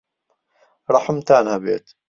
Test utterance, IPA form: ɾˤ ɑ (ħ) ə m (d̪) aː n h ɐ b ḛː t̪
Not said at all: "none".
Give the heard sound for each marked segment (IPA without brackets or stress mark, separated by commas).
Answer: ħ, t̪